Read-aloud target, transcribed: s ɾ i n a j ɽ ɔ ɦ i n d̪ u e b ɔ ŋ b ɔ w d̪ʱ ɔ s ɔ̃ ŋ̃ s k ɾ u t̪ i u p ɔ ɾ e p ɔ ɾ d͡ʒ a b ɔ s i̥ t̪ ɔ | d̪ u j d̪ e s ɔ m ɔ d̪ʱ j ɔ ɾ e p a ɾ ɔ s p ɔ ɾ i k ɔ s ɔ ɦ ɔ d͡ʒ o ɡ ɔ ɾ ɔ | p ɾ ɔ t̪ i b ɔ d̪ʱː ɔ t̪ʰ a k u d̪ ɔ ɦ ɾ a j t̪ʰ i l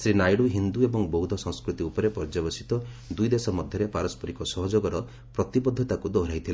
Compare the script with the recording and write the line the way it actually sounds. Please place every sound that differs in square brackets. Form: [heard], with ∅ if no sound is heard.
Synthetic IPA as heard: s ɾ i n a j ɽ [u] ɦ i n d̪ u e b ɔ ŋ b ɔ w d̪ʱ ɔ s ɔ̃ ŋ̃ s k ɾ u t̪ i u p ɔ ɾ e p ɔ ɾ d͡ʒ a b ɔ s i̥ t̪ ɔ | d̪ u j d̪ e s ɔ m ɔ d̪ʱ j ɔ ɾ e p a ɾ ɔ s p ɔ ɾ i k ɔ s ɔ ɦ ɔ d͡ʒ o ɡ ɔ ɾ ɔ | p ɾ ɔ t̪ i b ɔ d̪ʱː ɔ [t̪] a k u d̪ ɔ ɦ ɾ a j t̪ʰ i l